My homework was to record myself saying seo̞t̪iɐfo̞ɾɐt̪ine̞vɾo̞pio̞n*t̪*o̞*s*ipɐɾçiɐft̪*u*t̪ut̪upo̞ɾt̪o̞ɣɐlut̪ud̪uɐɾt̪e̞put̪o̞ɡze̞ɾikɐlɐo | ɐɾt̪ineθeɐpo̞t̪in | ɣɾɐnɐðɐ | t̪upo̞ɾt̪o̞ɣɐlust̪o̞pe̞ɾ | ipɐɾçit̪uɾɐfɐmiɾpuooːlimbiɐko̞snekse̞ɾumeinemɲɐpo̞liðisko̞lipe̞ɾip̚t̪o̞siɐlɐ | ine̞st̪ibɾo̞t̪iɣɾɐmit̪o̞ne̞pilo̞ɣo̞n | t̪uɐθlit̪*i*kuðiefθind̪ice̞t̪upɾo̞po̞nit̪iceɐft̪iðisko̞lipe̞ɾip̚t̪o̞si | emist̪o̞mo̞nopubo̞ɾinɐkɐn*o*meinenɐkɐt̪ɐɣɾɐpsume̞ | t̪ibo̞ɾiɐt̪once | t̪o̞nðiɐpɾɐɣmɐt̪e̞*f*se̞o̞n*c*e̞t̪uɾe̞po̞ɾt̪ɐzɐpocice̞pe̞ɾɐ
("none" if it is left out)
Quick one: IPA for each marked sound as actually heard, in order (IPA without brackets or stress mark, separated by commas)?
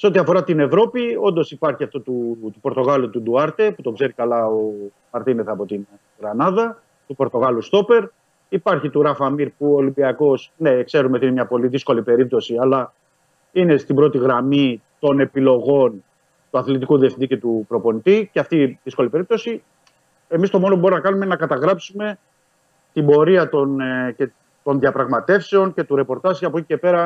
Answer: d̪, s, o, i, u, f, c